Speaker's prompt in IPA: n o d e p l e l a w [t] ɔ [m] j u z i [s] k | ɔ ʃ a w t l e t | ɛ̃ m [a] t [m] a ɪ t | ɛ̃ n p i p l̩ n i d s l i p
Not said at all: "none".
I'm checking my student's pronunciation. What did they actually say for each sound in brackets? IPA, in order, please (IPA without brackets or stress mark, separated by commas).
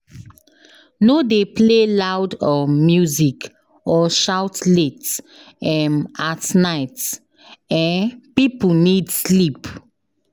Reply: d, m, none, a, n